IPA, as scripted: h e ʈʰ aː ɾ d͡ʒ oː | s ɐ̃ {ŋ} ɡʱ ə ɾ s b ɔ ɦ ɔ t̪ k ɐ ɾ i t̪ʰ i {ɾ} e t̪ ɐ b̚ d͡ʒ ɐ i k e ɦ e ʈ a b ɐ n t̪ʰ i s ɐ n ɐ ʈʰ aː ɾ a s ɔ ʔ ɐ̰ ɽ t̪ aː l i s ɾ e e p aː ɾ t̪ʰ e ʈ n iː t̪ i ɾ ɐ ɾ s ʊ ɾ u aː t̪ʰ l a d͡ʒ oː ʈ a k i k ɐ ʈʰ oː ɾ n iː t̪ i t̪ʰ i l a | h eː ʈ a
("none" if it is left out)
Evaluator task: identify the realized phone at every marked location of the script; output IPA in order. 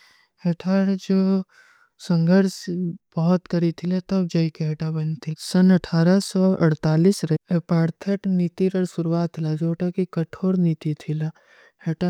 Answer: ŋ, l

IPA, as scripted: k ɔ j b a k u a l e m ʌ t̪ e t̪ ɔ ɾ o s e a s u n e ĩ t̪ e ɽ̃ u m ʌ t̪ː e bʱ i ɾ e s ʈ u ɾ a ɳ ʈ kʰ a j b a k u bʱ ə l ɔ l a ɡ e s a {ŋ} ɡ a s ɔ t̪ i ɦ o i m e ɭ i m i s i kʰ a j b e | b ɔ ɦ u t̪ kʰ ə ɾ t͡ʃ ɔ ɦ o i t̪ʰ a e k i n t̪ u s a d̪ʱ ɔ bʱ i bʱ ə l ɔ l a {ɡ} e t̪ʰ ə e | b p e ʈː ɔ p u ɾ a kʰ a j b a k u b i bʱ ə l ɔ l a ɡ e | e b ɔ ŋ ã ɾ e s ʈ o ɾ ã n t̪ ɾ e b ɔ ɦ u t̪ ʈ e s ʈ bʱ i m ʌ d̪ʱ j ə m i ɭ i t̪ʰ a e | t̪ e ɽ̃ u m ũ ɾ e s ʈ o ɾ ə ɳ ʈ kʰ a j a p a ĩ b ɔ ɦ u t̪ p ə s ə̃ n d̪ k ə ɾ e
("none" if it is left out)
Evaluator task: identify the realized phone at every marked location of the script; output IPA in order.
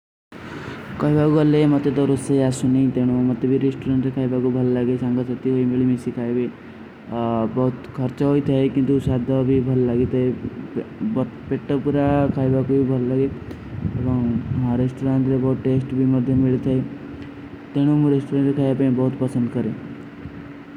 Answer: ŋ, ɡ

